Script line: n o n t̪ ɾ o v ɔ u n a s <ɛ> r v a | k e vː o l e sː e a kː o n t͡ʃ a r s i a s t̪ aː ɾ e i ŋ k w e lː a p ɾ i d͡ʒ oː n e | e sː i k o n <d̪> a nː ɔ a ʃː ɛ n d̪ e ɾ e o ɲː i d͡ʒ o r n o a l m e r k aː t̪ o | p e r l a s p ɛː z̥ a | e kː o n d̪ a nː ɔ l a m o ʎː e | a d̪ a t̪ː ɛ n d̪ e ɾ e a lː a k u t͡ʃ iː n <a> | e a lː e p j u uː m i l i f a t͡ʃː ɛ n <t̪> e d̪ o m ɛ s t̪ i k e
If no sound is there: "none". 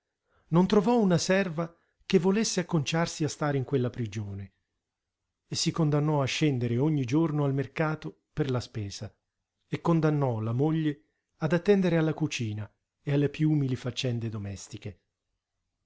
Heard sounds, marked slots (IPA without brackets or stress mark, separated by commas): ɛ, d̪, a, d̪